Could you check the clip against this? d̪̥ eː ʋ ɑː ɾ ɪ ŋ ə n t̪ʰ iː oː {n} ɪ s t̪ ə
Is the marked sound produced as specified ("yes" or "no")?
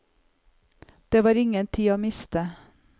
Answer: no